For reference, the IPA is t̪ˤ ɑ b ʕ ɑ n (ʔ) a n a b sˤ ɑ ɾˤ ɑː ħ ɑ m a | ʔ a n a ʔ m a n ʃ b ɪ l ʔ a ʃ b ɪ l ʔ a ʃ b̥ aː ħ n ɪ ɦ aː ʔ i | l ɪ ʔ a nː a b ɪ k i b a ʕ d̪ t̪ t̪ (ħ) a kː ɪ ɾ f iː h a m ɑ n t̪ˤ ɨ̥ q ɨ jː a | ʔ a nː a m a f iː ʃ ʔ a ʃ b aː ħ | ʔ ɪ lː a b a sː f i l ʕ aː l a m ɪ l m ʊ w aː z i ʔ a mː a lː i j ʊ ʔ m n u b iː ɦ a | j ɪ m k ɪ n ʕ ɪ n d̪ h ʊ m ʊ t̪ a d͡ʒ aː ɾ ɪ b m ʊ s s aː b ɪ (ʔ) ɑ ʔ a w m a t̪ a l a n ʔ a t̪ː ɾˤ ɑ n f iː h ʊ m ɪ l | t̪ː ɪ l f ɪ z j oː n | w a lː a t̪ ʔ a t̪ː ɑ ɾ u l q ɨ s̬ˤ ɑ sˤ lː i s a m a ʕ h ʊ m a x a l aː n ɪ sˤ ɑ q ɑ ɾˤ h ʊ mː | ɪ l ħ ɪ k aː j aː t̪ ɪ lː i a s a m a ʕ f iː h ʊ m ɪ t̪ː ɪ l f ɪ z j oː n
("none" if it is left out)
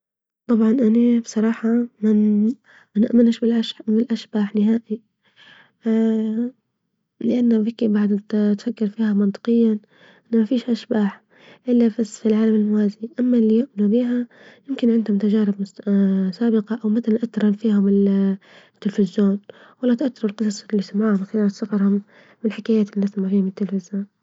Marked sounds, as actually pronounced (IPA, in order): ʔ, f, q

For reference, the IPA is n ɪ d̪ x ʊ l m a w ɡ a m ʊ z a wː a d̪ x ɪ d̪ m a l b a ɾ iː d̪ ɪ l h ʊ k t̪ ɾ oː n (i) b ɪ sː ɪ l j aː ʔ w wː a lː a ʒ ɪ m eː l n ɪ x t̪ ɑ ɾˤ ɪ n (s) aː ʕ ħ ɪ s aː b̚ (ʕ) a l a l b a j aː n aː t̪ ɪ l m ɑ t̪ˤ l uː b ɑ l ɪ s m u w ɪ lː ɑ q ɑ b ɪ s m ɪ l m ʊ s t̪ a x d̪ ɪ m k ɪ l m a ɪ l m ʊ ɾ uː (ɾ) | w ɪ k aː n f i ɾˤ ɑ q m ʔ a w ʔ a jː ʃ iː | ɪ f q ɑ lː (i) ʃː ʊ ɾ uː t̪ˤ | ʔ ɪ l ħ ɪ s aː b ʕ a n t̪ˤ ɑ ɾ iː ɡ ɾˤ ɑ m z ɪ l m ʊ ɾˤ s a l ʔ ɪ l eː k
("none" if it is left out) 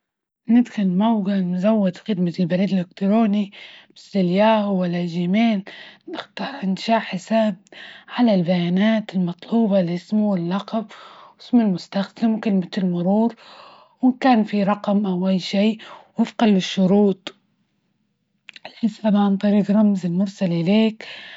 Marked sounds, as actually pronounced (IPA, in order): i, ʃ, ʕ, ɾ, ɪ

